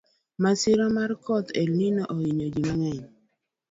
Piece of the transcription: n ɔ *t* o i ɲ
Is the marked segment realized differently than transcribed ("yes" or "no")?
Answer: yes